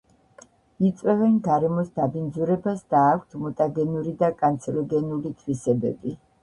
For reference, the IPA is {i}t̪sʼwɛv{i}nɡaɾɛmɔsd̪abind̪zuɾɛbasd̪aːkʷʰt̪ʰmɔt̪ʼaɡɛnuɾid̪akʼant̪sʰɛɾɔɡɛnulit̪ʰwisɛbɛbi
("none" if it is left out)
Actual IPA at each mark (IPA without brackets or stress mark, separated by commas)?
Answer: i, ɛ